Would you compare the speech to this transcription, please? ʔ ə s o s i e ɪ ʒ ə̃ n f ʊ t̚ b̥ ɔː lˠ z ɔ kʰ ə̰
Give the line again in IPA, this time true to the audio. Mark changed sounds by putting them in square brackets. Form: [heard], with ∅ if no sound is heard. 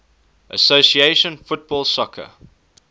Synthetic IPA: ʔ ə s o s i e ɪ [ʃ] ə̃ n f ʊ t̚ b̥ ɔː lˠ [s] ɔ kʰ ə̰

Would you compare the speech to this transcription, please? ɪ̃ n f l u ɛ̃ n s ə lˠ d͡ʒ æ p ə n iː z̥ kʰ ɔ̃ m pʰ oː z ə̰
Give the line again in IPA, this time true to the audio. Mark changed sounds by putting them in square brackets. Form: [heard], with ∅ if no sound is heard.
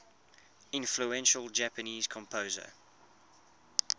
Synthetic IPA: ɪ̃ n f l u ɛ̃ n [ʃ] ə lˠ d͡ʒ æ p ə n iː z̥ kʰ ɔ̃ m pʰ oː z ə̰

